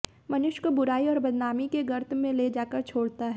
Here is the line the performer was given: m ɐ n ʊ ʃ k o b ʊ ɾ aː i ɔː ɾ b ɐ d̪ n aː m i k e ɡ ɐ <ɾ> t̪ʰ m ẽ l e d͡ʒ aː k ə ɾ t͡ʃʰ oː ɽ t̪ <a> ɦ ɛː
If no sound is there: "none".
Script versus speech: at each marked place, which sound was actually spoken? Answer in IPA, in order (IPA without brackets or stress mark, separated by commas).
ɾ, a